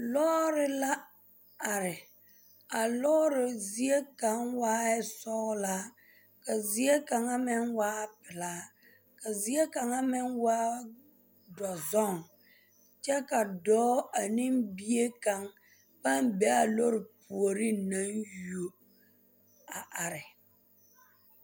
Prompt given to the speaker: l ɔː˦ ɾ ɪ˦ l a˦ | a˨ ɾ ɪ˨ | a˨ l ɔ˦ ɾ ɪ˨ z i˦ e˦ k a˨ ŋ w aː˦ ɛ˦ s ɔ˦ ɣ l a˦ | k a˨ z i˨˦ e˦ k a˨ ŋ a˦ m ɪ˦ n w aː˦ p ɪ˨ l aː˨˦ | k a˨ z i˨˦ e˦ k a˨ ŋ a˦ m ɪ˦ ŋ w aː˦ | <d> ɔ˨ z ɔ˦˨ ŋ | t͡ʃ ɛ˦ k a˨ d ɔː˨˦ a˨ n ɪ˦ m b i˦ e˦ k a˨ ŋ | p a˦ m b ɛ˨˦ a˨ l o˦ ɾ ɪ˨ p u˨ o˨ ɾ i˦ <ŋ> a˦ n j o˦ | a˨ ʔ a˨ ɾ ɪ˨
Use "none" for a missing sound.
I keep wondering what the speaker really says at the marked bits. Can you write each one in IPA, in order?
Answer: d, n

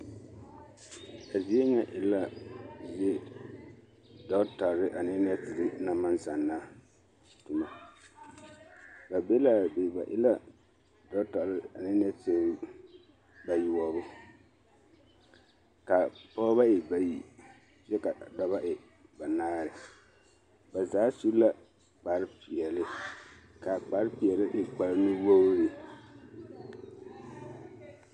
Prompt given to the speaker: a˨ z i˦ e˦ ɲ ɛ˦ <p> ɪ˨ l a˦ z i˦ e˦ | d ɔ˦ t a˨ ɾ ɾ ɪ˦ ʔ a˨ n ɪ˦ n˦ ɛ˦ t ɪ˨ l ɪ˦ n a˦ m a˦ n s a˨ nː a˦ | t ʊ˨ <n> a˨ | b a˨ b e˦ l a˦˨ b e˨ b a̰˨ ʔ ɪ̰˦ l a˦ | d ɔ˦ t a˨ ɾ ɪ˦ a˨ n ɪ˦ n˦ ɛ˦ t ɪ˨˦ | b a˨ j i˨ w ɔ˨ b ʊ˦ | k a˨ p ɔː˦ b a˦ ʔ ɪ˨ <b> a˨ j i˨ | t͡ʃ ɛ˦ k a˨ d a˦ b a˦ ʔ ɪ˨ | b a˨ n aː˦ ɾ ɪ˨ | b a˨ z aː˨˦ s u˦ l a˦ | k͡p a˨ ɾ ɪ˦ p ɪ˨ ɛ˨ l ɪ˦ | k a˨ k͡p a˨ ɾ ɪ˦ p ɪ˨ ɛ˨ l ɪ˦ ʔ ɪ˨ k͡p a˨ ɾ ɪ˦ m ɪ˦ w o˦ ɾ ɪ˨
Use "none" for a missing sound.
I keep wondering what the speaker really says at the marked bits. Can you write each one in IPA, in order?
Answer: ʔ, m, b

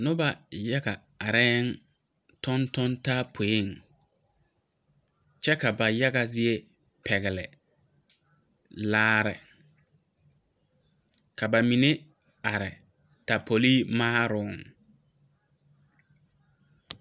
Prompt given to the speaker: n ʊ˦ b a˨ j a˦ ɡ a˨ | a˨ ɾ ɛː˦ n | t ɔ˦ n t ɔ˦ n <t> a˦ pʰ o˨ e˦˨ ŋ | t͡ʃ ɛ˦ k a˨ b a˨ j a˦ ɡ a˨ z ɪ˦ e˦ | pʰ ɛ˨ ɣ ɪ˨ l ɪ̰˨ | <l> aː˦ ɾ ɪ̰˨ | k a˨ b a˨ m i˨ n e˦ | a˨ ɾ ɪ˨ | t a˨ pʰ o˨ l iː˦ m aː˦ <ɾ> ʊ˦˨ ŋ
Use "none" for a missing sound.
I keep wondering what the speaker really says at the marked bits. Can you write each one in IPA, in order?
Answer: t, l, ɾ

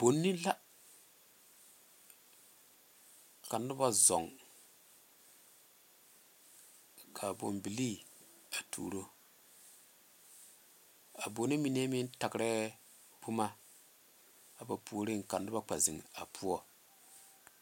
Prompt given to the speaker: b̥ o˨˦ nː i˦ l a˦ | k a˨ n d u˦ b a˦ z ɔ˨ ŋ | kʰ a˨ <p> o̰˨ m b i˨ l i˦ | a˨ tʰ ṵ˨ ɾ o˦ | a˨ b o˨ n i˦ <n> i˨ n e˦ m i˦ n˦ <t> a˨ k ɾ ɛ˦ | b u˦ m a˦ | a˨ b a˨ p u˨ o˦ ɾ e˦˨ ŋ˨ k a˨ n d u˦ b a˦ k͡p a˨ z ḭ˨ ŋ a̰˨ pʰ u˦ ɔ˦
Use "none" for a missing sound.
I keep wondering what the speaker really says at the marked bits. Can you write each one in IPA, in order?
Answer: b, m, t

